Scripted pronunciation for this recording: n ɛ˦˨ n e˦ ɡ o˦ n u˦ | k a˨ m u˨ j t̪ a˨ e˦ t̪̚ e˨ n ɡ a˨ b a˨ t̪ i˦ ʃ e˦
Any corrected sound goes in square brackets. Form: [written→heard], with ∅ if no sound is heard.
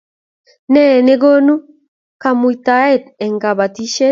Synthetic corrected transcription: n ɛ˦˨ n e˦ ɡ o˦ n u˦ | k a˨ m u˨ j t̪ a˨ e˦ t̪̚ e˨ [n→ŋ] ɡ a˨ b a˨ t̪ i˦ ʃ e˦